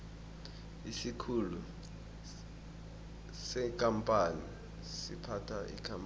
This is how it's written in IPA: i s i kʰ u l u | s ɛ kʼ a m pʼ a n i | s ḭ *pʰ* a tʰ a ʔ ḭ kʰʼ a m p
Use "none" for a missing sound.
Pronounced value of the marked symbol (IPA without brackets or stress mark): pʰ